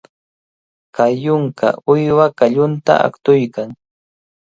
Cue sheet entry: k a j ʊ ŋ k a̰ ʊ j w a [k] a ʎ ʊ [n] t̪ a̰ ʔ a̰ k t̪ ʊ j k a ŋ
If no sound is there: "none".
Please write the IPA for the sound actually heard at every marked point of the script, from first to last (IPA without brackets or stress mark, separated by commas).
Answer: k, n